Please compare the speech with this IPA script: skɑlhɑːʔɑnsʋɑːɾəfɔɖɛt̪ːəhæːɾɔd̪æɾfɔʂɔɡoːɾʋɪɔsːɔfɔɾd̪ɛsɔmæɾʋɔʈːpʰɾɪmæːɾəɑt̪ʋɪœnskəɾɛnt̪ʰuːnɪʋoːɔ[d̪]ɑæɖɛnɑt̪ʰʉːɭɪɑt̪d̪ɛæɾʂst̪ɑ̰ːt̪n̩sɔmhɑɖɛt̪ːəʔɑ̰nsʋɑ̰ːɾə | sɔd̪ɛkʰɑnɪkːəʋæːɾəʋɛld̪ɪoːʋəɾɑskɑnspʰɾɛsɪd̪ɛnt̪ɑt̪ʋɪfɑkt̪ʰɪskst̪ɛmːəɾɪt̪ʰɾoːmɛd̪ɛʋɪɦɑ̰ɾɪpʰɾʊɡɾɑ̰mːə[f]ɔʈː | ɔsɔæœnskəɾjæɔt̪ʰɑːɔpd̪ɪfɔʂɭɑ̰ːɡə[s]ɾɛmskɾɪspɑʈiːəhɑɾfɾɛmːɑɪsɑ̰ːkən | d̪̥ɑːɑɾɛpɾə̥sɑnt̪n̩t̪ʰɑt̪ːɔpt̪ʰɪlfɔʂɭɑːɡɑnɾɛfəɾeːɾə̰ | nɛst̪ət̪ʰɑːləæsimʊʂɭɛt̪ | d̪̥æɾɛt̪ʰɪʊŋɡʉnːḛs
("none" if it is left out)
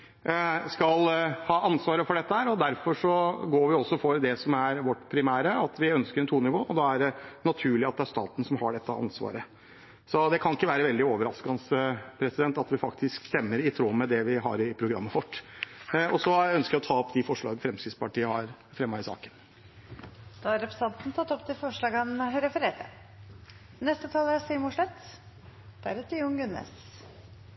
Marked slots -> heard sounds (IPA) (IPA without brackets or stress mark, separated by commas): d̪, f, f